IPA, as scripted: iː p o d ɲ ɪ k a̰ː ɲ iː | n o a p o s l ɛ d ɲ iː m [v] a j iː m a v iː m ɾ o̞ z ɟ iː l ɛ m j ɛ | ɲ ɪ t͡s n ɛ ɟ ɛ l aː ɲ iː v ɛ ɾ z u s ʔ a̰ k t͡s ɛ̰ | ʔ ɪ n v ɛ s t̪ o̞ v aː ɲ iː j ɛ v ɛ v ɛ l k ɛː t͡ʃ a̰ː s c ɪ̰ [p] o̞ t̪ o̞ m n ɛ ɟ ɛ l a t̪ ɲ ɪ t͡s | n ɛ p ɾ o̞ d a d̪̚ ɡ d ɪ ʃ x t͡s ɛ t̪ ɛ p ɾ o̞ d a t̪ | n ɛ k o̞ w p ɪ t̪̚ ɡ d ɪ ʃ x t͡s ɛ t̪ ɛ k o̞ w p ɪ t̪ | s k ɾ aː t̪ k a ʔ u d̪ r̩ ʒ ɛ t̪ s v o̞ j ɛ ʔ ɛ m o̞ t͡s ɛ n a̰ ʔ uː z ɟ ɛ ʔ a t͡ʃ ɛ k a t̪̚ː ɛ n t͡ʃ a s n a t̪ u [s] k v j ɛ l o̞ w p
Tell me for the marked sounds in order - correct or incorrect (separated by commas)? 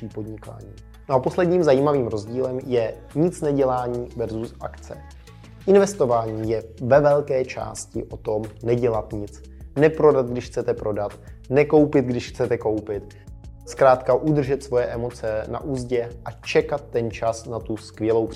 incorrect, incorrect, correct